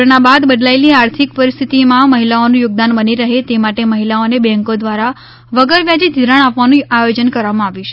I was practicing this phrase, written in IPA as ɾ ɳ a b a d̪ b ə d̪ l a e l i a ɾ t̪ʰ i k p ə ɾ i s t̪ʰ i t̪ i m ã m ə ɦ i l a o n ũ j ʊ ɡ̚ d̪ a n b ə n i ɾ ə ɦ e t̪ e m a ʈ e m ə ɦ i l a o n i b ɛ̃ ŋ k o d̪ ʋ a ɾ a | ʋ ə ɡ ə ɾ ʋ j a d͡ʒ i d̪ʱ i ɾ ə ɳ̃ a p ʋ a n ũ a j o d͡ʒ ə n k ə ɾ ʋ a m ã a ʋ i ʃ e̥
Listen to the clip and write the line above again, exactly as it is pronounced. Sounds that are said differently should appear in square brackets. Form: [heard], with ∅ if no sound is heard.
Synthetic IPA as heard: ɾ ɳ a b a d̪ b ə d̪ l a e l i a ɾ t̪ʰ i k p ə ɾ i s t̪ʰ i t̪ i m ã m ə ɦ i l a o n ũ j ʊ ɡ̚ d̪ a n b ə n i ɾ ə ɦ e t̪ e m a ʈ e m ə ɦ i l a o n [e] b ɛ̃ ŋ k o d̪ ʋ a ɾ a | ʋ ə ɡ ə ɾ ʋ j a d͡ʒ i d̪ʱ i ɾ ə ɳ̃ a p ʋ a n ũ a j o d͡ʒ ə n k ə ɾ ʋ a m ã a ʋ i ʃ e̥